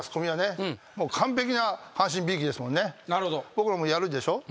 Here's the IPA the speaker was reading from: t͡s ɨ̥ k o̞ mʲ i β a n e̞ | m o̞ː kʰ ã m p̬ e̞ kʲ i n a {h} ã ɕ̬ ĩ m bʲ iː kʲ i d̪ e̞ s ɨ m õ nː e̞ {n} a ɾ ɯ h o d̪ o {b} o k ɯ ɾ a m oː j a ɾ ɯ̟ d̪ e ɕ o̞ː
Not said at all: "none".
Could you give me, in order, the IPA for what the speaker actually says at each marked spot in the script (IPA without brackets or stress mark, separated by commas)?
h, n, b